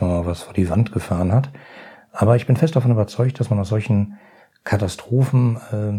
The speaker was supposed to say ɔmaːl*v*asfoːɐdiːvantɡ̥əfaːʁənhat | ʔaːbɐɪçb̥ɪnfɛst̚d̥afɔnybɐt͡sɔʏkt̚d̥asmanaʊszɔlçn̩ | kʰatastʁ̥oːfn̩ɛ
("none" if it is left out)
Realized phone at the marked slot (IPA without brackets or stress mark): v